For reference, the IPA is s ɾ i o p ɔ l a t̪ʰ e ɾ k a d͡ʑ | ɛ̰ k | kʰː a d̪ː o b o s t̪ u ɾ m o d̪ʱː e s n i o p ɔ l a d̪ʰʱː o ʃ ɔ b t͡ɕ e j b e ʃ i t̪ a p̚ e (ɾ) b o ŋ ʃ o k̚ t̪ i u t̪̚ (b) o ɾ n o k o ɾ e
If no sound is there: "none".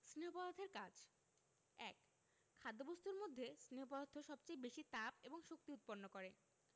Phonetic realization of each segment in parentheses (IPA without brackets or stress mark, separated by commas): none, p